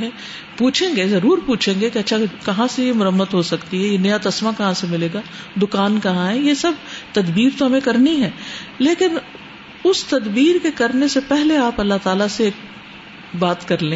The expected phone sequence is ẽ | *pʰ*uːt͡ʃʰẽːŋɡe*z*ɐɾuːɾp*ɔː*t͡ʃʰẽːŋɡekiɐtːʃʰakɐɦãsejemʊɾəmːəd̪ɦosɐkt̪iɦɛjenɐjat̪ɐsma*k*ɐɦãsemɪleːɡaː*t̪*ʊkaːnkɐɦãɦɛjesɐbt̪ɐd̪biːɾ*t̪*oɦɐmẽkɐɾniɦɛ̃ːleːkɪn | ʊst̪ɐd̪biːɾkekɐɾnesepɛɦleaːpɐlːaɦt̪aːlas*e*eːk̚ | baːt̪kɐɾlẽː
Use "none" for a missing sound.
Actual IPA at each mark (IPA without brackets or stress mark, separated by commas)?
p, z, uː, k, d̪, t̪, e